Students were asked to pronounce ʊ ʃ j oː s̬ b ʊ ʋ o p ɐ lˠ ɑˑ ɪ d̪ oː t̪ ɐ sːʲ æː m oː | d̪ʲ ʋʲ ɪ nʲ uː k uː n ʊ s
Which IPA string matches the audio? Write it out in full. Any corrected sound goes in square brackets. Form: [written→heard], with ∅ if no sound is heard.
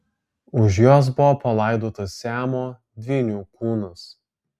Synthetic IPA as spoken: ʊ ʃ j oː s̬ b ʊ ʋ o p ɐ lˠ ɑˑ ɪ d̪ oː t̪ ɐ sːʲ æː m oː | d̪ʲ ʋʲ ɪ nʲ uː k uː n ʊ s